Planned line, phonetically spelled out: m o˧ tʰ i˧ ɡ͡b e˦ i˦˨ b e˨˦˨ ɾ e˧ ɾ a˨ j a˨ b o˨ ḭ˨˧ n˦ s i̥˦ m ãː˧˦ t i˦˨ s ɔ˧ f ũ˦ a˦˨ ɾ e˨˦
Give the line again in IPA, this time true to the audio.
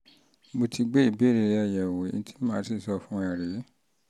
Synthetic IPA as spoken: m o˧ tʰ i˧ ɡ͡b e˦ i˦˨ b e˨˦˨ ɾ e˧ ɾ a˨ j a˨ w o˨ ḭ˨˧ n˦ t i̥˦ m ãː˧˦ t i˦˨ s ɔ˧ f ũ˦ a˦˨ ɾ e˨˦

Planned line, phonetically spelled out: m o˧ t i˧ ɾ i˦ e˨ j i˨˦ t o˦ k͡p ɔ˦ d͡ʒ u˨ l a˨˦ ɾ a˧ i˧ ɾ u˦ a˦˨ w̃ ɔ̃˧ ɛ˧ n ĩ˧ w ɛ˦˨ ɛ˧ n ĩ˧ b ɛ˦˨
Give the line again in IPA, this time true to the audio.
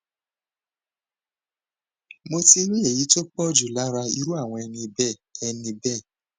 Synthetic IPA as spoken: m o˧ t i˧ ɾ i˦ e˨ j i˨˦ t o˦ k͡p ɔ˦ d͡ʒ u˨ l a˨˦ ɾ a˧ i˧ ɾ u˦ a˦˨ w̃ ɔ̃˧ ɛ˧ n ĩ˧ b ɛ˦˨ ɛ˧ n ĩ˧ b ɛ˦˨

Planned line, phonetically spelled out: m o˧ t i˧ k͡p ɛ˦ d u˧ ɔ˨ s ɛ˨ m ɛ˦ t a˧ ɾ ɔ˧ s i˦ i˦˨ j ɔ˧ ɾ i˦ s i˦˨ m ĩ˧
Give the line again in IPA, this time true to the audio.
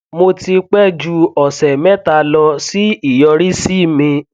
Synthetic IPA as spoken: m o˧ t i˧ k͡p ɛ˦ d͡ʒ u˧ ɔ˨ s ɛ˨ m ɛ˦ t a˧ l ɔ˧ s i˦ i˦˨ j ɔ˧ ɾ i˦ s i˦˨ m ĩ˧

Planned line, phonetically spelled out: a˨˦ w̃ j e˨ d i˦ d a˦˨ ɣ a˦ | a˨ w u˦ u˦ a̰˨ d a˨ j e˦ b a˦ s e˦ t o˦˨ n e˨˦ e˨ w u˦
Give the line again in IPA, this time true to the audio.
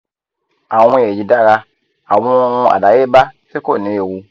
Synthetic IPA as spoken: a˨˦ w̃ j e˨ d͡ʒ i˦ d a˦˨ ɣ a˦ | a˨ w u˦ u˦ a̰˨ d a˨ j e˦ b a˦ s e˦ k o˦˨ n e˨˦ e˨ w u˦

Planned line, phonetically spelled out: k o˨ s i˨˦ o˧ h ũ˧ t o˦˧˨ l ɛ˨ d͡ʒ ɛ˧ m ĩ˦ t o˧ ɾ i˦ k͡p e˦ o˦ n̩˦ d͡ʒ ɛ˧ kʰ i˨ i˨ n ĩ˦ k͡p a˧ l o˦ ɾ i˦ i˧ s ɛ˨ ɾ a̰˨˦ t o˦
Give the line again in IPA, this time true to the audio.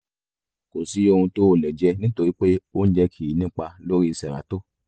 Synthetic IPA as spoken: k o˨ s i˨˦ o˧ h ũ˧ t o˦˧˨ l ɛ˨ d͡ʒ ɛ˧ n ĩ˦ t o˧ ɾ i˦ k͡p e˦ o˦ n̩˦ d͡ʒ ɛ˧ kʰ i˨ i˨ n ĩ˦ k͡p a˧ l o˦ ɾ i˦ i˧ s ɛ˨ ɾ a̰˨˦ t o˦

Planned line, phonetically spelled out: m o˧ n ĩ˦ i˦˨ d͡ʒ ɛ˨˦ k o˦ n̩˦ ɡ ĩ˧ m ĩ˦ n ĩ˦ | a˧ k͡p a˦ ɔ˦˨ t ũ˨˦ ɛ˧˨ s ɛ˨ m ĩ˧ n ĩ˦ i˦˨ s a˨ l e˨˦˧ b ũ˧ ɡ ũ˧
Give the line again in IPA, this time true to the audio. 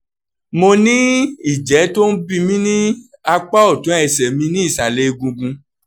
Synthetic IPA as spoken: m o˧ n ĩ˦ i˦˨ d͡ʒ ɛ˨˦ t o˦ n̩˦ b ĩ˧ m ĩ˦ n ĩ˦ | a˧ k͡p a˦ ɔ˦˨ t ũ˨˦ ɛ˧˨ s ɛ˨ m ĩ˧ n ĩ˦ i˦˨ s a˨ l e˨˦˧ ɡ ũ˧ ɡ ũ˧

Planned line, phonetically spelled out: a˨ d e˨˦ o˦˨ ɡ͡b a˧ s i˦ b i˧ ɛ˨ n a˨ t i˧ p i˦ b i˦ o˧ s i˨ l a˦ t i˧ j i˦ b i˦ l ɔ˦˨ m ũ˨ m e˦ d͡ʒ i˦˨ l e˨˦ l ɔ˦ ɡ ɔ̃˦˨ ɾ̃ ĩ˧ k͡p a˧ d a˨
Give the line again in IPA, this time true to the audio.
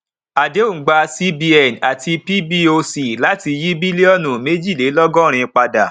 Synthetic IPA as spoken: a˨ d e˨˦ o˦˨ ɡ͡b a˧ s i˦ b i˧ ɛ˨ n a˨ t i˧ p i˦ b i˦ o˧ s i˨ l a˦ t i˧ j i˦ b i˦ l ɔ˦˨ n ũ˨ m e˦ d͡ʒ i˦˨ l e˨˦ l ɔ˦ ɡ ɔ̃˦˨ ɾ̃ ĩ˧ k͡p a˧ d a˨

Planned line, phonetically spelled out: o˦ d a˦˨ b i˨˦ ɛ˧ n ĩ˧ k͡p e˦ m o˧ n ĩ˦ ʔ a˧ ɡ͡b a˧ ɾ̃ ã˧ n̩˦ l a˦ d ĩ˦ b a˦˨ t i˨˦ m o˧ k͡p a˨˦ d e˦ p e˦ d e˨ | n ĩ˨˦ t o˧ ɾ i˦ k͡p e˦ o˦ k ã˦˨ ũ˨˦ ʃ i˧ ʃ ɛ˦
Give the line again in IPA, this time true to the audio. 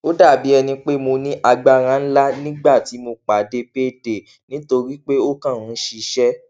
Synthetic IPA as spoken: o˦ d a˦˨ b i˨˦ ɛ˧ n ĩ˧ k͡p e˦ m o˧ n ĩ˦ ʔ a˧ ɡ͡b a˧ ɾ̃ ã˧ n̩˦ l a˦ n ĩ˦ ɡ͡b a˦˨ t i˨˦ m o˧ k͡p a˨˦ d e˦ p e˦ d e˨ | n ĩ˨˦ t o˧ ɾ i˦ k͡p e˦ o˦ k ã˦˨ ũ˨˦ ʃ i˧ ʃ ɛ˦

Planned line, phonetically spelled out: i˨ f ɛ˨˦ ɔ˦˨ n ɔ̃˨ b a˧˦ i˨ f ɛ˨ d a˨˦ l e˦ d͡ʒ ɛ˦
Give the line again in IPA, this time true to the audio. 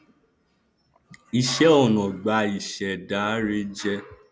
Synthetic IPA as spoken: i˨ ʃ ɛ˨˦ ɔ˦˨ n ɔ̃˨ ɡ͡b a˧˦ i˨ ʃ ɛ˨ d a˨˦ ɾ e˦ d͡ʒ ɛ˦

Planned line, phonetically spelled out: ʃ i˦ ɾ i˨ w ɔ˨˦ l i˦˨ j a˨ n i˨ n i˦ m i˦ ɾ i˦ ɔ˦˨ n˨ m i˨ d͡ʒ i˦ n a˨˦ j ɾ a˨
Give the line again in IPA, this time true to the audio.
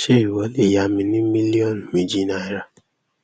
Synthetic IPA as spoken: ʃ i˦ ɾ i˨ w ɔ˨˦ l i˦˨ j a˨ m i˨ n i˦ m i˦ l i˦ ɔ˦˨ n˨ m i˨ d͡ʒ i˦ n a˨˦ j ɾ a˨

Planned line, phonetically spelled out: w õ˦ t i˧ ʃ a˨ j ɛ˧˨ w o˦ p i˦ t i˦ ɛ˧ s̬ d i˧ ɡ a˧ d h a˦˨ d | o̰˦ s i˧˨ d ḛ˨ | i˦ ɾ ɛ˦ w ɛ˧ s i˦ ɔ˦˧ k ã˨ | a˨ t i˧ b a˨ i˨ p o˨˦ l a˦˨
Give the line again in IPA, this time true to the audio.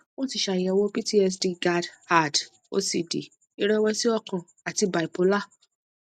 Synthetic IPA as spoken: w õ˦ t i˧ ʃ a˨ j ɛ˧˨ w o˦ p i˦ t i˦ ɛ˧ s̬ d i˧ ɡ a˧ d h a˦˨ d | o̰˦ s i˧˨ d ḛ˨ | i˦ ɾ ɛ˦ w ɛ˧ s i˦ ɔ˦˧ k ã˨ | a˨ t i˧ b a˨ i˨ p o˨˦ l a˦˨

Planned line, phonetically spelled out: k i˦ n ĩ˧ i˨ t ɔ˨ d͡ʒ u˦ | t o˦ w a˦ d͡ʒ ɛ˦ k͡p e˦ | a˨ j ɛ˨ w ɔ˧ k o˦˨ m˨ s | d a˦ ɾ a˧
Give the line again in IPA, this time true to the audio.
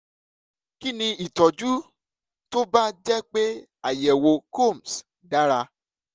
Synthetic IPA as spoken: k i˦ n ĩ˧ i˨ t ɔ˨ d͡ʒ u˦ | t o˦ b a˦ d͡ʒ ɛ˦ k͡p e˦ | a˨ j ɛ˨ w o˧ k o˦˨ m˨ s | d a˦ ɾ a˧

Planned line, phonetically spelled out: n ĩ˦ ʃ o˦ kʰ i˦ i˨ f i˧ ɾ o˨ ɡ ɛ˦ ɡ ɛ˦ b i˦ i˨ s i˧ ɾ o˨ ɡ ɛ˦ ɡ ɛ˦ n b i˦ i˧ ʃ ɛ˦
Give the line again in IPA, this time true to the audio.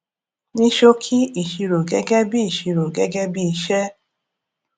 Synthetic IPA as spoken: n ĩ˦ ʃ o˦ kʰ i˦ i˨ ʃ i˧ ɾ o˨ ɡ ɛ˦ ɡ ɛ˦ b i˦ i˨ ʃ i˧ ɾ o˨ ɡ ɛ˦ ɡ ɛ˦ b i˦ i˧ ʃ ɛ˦

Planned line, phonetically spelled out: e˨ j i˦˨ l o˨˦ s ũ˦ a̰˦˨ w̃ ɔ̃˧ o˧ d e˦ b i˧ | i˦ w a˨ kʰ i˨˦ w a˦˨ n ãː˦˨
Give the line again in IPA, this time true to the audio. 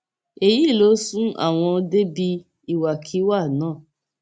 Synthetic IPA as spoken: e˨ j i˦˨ l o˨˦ s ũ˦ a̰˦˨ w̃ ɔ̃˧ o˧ d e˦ b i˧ | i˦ w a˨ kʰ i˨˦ w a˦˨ n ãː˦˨

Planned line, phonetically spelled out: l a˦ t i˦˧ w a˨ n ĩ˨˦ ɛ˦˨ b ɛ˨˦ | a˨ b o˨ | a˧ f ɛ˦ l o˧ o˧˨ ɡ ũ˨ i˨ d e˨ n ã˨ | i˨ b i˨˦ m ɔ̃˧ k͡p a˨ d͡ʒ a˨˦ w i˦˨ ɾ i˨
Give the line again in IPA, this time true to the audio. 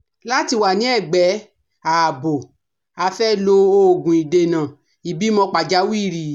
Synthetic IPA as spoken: l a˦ t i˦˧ w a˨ n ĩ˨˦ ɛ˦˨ ɡ͡b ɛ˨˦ | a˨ b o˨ | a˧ f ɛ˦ l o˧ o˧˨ ɡ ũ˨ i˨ d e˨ n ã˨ | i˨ b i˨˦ m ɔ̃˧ k͡p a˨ d͡ʒ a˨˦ w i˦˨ ɾ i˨

